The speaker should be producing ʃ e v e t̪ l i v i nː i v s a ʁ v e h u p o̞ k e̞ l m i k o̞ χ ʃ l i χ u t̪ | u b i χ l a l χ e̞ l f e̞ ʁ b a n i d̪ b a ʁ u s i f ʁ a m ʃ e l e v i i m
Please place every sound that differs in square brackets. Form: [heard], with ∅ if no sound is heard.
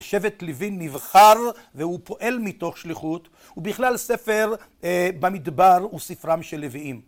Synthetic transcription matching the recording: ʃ e v e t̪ l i v i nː i v [χ] a ʁ v e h u p o̞ [ʔ] e̞ l m i [t] o̞ χ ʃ l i χ u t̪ | u b i χ l a l [s] e̞ [∅] f e̞ ʁ b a [m] i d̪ b a ʁ u s i f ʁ a m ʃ e l e v i i m